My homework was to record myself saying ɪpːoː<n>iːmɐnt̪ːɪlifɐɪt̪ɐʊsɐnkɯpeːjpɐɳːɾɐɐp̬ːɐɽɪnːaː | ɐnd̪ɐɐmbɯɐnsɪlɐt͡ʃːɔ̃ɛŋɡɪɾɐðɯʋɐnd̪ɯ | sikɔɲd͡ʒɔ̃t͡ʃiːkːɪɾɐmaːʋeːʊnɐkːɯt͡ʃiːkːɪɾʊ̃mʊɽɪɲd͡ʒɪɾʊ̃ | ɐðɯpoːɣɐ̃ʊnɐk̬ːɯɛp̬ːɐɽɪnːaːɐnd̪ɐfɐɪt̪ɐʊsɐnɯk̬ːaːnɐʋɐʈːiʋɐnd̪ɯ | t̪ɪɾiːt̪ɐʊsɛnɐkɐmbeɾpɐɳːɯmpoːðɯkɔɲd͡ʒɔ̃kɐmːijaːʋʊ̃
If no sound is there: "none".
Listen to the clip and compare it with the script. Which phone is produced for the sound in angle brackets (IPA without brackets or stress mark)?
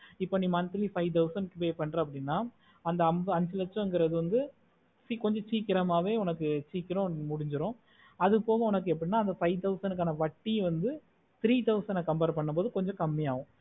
n